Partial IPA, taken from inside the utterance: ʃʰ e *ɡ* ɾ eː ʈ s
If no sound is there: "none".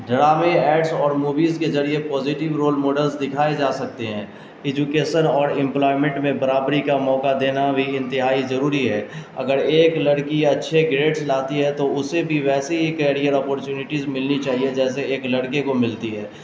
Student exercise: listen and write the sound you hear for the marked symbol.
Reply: ɡ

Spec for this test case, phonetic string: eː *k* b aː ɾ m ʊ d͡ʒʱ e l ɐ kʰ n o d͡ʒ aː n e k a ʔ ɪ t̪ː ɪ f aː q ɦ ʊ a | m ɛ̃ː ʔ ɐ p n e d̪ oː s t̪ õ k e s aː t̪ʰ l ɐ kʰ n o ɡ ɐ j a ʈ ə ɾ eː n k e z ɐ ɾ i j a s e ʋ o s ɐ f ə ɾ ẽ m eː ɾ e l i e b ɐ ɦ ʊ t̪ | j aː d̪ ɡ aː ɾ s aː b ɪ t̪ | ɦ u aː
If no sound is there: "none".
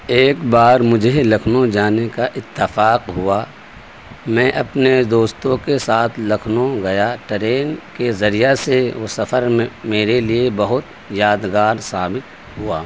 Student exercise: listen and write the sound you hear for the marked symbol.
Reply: k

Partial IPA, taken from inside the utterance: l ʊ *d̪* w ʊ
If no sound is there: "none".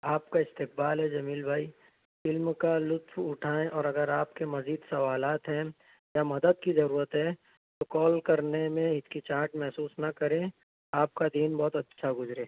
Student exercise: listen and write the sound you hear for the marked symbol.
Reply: t̪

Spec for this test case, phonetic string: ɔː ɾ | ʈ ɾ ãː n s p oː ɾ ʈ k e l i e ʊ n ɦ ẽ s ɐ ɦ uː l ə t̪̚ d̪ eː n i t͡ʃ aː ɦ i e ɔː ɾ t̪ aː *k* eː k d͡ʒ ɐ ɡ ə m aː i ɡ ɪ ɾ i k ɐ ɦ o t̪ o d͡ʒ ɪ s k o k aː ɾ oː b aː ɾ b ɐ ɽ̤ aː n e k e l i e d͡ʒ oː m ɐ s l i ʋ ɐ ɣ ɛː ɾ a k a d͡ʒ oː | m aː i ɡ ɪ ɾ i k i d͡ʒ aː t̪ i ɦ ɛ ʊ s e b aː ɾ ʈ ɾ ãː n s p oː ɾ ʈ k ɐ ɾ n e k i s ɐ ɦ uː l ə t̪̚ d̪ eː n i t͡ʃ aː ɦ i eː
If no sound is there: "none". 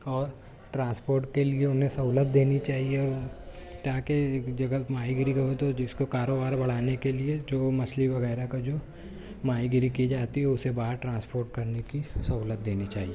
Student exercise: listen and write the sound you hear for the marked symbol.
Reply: k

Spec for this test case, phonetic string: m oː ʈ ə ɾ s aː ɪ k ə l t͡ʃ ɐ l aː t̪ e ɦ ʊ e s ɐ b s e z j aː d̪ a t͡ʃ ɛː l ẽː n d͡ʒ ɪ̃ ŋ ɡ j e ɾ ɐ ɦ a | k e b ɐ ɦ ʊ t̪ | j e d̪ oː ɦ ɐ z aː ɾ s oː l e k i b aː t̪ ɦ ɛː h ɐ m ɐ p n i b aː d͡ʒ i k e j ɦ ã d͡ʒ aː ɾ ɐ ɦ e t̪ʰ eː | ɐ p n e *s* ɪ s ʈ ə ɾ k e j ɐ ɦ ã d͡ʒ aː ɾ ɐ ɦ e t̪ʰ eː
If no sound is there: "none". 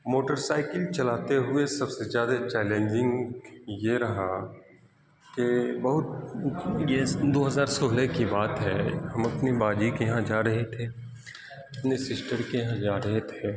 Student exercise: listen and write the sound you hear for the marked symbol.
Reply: s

